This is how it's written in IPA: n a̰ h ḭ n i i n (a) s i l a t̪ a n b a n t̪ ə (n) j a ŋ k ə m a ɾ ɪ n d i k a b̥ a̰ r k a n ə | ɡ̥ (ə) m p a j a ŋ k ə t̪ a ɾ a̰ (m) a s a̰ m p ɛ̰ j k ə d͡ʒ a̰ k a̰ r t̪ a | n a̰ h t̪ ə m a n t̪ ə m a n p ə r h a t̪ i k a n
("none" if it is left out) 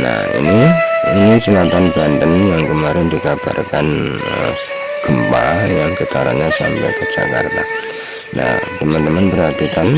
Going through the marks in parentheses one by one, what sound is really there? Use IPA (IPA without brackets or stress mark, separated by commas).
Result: i, n, ə, ɲ